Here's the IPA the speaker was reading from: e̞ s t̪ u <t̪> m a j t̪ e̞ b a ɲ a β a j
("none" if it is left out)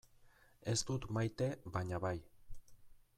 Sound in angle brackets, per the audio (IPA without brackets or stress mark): t̪